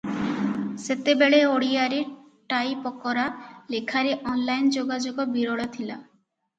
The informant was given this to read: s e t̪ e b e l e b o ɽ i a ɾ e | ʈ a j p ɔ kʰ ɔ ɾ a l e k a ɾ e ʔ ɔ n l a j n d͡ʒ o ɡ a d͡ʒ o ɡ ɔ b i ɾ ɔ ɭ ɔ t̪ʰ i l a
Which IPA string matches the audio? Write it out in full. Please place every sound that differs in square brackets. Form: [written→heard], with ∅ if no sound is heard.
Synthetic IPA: s e t̪ e b e [l→ɭ] e [b→∅] o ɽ i a ɾ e | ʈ a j p ɔ [kʰ→k] ɔ ɾ a l e [k→kʰ] a ɾ e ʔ ɔ n l a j n d͡ʒ o ɡ a d͡ʒ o ɡ ɔ b i ɾ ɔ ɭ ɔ t̪ʰ i l a